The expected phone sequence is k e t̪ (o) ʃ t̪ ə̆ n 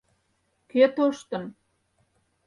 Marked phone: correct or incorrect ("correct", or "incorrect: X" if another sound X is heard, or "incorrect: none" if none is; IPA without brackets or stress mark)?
correct